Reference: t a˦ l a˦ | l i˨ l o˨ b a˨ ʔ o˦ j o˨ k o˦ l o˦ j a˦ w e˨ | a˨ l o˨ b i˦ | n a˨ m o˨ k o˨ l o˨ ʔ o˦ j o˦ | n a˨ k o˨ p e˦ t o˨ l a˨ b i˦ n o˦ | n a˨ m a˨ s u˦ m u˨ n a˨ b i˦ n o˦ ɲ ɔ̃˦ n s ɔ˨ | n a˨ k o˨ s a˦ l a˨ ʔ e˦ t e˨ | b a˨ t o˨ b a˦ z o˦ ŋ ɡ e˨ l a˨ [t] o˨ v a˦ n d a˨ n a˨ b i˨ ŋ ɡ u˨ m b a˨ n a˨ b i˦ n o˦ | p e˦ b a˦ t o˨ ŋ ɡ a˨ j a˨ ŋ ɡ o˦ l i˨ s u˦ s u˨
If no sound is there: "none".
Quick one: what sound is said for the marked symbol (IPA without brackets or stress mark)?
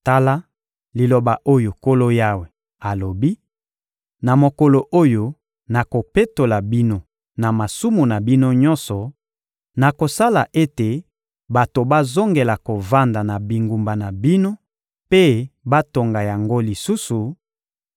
k